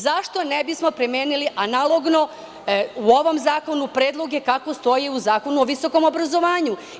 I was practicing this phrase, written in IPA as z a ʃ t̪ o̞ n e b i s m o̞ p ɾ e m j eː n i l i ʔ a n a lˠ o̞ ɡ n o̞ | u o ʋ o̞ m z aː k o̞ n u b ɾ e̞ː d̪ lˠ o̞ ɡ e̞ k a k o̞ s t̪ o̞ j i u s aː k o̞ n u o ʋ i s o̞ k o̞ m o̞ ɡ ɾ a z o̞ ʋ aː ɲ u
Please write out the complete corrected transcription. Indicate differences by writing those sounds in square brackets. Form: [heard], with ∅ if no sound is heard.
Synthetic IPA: z a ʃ t̪ o̞ n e b i s m o̞ p ɾ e m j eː n i l i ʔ a n a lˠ o̞ ɡ n o̞ | u o ʋ o̞ m z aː k o̞ n u [p] ɾ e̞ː d̪ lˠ o̞ ɡ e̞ k a k o̞ s t̪ o̞ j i u [z] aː k o̞ n u o ʋ i s o̞ k o̞ m o̞ [b] ɾ a z o̞ ʋ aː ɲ u

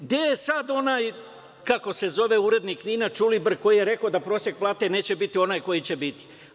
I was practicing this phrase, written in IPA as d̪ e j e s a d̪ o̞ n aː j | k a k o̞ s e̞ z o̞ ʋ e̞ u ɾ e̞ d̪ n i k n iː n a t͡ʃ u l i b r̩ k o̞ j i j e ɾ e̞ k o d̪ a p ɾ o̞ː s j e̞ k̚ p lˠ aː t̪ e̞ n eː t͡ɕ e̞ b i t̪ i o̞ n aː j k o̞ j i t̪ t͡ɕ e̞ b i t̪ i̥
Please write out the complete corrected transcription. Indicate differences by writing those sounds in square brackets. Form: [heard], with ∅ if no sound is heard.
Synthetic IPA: d̪ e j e s a d̪ o̞ n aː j | k a k o̞ s e̞ z o̞ ʋ e̞ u ɾ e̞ d̪ n i k n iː n a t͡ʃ u l i b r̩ k o̞ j i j e ɾ e̞ k o d̪ a p ɾ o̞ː s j e̞ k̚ p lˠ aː t̪ e̞ n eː t͡ɕ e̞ b i t̪ i o̞ n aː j k o̞ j i [∅] t͡ɕ e̞ b i t̪ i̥

